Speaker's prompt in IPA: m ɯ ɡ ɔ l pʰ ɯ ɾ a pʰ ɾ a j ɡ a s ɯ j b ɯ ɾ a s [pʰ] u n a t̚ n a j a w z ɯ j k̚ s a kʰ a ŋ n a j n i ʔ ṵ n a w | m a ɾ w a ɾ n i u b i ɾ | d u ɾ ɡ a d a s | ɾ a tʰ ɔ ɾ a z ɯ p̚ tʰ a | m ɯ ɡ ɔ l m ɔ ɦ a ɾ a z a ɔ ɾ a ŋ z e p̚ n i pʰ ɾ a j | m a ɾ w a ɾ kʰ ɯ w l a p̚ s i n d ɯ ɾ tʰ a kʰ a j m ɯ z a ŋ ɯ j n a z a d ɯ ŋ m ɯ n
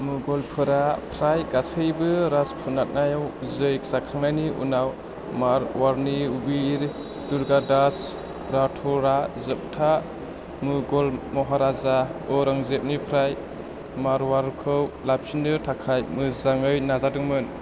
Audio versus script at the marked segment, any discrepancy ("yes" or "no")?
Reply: no